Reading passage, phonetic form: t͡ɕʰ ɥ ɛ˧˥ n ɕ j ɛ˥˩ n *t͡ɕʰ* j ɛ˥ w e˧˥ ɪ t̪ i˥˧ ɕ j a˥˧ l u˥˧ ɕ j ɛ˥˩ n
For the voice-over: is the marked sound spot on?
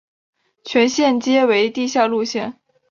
no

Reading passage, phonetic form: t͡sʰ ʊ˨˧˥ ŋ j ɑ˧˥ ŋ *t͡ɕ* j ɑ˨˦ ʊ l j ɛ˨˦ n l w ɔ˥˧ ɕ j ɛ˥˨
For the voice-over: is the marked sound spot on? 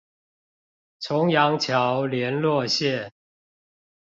no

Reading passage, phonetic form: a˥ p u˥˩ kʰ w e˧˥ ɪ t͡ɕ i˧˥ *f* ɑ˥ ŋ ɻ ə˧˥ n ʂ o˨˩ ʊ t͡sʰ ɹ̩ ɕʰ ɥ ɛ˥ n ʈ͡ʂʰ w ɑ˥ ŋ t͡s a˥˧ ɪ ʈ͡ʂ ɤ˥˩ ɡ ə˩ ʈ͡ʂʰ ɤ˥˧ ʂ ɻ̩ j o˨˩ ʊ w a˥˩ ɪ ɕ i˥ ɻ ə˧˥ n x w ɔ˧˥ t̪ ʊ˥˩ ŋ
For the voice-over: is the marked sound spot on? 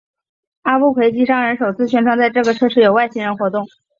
no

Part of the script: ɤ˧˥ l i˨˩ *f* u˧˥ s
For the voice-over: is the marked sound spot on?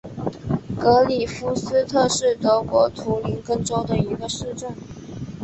yes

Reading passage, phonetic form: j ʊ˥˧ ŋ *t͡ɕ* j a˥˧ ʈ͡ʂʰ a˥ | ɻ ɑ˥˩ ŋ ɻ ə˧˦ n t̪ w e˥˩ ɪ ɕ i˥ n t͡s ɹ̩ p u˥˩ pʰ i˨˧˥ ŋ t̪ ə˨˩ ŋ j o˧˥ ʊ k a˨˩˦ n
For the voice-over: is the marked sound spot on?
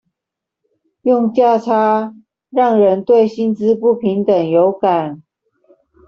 yes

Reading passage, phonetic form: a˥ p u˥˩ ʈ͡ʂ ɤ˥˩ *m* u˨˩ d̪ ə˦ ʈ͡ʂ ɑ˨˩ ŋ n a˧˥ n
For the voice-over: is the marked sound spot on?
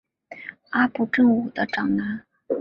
no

